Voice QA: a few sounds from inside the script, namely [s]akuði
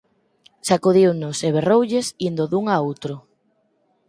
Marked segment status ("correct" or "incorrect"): correct